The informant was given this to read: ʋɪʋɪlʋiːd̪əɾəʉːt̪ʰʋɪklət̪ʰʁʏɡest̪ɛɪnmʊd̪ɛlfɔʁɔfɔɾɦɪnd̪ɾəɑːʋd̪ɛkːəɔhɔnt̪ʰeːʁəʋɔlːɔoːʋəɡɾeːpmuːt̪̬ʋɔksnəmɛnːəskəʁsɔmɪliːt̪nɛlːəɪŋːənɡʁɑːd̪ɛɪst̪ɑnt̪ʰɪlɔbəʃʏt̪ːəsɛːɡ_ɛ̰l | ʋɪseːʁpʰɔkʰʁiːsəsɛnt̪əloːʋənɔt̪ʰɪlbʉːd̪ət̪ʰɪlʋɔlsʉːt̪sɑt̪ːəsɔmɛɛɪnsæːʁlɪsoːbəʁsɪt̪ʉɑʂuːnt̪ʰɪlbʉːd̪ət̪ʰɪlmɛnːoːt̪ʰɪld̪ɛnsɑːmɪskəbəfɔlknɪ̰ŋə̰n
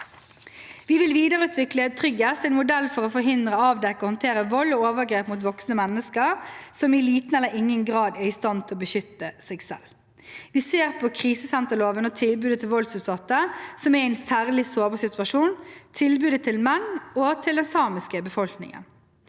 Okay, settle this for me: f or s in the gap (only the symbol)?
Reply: s